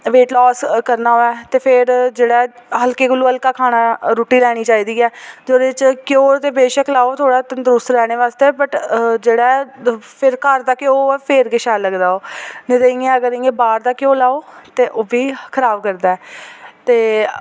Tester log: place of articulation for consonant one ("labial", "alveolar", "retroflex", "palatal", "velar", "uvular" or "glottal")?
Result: labial